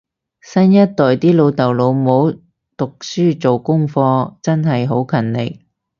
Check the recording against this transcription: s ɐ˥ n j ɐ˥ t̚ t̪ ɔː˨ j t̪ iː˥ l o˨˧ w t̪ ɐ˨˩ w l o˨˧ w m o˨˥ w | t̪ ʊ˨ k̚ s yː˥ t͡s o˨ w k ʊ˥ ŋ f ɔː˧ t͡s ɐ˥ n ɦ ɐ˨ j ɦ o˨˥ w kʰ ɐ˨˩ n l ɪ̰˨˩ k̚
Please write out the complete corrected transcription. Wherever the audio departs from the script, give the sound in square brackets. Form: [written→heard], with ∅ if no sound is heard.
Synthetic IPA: s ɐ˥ n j ɐ˥ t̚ t̪ ɔː˨ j t̪ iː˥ l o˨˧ w t̪ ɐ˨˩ w l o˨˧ w m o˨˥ w | t̪ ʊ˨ k̚ s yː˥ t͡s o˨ w k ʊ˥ ŋ f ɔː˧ t͡s ɐ˥ n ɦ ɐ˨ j ɦ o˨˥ w kʰ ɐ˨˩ n l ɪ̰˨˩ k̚